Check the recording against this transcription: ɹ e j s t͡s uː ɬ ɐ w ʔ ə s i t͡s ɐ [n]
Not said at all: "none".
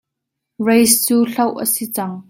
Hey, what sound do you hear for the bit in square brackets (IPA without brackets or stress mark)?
ŋ